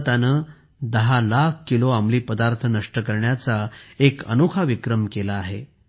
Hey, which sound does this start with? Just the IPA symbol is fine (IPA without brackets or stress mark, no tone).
t̪